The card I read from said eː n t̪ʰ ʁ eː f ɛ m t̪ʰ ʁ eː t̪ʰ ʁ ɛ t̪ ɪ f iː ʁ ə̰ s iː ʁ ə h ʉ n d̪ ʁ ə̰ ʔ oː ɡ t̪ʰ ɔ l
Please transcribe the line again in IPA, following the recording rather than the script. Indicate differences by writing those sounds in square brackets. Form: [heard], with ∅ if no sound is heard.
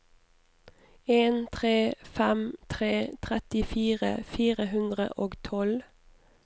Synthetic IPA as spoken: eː n t̪ʰ ʁ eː f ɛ m t̪ʰ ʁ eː t̪ʰ ʁ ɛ t̪ ɪ f iː ʁ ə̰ [f] iː ʁ ə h ʉ n d̪ ʁ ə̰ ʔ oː ɡ t̪ʰ ɔ l